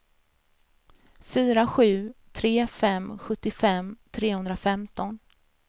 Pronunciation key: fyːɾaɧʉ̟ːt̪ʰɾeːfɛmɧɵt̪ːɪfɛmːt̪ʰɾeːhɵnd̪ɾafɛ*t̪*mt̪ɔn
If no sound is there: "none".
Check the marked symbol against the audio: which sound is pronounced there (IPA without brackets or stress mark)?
none